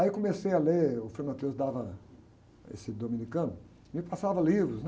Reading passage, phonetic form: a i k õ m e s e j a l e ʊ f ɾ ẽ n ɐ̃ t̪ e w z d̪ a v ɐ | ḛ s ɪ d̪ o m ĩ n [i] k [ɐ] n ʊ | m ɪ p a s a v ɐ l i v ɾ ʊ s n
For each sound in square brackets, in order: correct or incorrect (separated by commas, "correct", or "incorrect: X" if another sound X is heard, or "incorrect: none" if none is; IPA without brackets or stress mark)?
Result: correct, incorrect: ɐ̃